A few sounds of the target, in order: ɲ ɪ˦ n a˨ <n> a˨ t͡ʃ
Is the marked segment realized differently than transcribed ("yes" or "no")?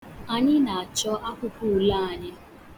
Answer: yes